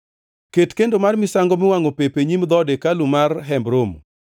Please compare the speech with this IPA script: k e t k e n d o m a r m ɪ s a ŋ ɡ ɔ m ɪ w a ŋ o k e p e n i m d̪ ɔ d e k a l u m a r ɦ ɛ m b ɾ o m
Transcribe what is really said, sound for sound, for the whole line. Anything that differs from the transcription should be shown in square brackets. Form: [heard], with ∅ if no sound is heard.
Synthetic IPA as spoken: k e t k e n d o m a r m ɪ s a ŋ ɡ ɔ m ɪ w a ŋ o [p] e p e [ɲ] i m d̪ ɔ d e k a l u m a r ɦ ɛ m b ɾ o m